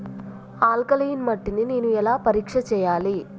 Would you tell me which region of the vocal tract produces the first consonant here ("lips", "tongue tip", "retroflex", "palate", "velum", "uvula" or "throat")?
tongue tip